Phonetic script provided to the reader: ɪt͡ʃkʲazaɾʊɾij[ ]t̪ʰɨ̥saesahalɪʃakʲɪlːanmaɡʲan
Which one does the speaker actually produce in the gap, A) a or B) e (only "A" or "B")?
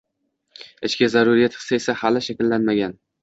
A